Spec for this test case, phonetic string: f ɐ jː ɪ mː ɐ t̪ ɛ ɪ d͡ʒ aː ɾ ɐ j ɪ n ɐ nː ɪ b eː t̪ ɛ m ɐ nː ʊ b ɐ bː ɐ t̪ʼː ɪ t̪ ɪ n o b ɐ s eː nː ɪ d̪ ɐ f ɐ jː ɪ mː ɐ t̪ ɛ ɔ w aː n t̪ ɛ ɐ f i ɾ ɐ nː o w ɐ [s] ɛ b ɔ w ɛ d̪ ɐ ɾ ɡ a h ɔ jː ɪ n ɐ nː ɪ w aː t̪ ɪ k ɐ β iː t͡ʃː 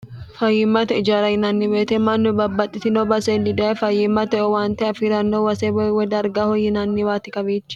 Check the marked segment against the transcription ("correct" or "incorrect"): correct